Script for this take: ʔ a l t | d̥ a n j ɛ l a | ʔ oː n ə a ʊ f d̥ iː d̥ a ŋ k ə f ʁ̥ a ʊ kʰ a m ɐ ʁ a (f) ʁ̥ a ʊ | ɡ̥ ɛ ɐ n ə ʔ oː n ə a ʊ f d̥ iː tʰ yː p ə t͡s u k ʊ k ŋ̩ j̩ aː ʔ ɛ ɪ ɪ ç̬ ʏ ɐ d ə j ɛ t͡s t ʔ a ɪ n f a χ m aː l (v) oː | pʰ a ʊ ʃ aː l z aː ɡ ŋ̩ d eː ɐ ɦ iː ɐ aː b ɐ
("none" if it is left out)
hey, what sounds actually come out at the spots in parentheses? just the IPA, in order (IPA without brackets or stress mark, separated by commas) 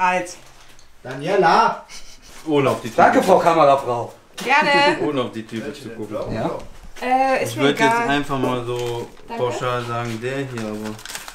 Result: f, z